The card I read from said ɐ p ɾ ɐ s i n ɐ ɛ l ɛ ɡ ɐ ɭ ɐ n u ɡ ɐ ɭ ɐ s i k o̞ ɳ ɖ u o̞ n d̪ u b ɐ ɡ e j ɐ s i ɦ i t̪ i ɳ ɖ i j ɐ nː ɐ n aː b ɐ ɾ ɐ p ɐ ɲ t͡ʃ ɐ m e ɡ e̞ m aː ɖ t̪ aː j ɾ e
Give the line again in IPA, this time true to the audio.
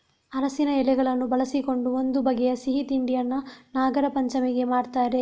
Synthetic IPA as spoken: ɐ ɾ ɐ s i n ɐ ɛ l ɛ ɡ ɐ ɭ ɐ nː u b ɐ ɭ ɐ s i k o̞ ɳ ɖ u o̞ n d̪ u b ɐ ɡ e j ɐ s i ɦ i t̪ i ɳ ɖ i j ɐ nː ɐ n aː ɡ ɐ ɾ ɐ p ɐ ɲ t͡ʃ ɐ m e ɡ e̞ m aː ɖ t̪ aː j ɾ e